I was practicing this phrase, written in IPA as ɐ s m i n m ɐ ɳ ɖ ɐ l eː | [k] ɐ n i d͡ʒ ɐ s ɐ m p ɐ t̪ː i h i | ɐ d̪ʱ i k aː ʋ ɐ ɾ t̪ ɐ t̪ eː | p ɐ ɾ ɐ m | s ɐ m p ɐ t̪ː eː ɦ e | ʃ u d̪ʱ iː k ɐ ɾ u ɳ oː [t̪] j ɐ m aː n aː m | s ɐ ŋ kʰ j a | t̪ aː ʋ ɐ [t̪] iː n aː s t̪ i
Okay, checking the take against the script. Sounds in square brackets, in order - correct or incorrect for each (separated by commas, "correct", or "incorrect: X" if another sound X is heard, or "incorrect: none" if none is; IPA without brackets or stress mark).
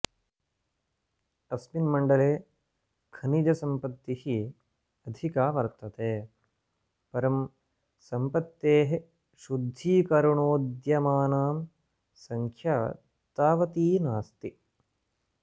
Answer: incorrect: kʰ, incorrect: d̪, correct